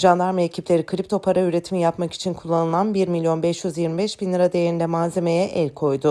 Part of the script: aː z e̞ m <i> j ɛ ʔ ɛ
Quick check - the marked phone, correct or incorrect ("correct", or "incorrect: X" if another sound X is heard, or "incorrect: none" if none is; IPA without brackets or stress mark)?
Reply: incorrect: e